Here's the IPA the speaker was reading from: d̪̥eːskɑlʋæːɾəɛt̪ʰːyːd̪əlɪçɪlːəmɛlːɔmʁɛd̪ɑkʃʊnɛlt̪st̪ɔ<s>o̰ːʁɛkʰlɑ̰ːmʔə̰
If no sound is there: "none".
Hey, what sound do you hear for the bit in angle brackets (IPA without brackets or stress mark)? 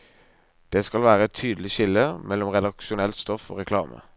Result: f